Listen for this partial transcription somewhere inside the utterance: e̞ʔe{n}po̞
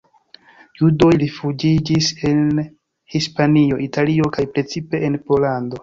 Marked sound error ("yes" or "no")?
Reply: no